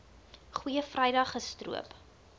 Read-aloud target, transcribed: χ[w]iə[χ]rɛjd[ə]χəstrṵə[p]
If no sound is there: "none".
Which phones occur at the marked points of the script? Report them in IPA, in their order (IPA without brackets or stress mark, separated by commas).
w, f, ɐ, p